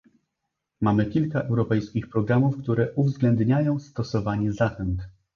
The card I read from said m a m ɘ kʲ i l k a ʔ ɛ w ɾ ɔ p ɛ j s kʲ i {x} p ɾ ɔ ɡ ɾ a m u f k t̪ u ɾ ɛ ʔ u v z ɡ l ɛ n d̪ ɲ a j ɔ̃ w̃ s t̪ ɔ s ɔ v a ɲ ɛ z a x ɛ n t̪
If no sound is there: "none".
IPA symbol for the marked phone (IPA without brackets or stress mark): x